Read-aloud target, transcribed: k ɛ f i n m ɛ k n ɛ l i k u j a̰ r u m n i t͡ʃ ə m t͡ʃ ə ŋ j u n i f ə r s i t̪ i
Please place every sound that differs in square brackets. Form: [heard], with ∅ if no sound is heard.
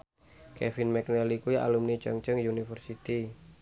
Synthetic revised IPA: k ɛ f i n m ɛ k n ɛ l i k u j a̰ [l] u m n i t͡ʃ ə [ŋ] t͡ʃ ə ŋ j u n i f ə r s i t̪ i